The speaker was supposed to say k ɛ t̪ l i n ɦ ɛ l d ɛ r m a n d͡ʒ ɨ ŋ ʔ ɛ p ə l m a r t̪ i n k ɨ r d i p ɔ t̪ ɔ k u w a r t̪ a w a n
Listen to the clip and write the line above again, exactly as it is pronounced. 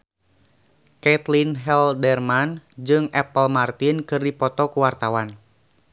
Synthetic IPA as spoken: k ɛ t̪ l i n ɦ ɛ l d ɛ r m a n d͡ʒ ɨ ŋ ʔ ɛ p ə l m a r t̪ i n k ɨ r d i p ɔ t̪ ɔ k u w a r t̪ a w a n

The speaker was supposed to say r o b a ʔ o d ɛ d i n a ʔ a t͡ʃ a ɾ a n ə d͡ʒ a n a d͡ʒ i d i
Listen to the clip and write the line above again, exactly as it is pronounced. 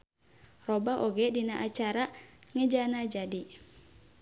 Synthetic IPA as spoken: r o b a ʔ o ɡ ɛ d i n a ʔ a t͡ʃ a ɾ a ŋ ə d͡ʒ a n a d͡ʒ a d i

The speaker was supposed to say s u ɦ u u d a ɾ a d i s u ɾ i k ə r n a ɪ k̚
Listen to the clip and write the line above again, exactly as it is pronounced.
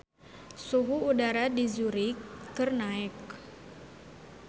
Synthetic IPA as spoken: s u ɦ u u d a ɾ a d i z u ɾ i k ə r n a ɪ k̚

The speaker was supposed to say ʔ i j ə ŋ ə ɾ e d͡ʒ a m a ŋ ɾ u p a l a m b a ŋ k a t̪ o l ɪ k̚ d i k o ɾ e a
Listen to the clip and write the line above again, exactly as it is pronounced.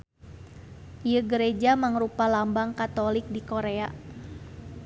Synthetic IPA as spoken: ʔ i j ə ɡ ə ɾ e d͡ʒ a m a ŋ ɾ u p a l a m b a ŋ k a t̪ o l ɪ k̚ d i k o ɾ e a

